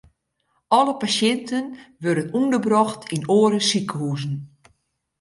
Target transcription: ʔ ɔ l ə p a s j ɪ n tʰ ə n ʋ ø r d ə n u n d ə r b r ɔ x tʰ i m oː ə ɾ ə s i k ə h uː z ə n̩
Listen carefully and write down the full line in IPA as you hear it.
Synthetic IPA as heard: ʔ ɔ l ə p a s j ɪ n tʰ ə n ʋ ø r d ə n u n d ə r b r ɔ x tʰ i n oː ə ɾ ə s i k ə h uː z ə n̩